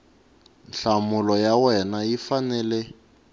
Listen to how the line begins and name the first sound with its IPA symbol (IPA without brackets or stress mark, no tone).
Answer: n